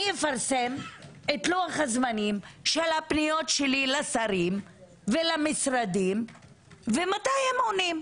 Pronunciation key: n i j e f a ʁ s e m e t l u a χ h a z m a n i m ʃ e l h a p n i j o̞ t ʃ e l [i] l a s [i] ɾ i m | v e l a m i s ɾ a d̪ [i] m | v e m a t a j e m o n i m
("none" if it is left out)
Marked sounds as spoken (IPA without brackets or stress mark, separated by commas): i, a, i